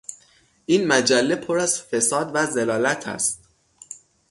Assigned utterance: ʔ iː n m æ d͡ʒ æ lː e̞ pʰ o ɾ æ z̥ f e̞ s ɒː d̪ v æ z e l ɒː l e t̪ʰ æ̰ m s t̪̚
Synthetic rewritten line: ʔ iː n m æ d͡ʒ æ lː e̞ pʰ o ɾ æ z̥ f e̞ s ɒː d̪ v æ z e l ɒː l æ t̪ʰ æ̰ s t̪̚